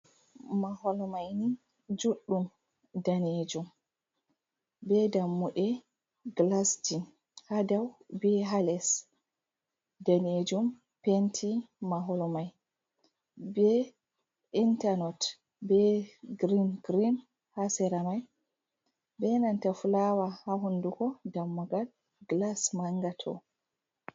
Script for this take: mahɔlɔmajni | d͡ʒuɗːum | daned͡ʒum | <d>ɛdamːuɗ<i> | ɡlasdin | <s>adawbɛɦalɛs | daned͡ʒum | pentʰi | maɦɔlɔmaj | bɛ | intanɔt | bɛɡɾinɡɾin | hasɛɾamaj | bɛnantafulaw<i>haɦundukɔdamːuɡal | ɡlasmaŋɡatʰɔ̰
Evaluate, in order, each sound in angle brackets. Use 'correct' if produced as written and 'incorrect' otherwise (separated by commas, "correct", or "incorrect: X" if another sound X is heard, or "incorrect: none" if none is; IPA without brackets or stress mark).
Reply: incorrect: b, incorrect: ɛ, incorrect: h, incorrect: a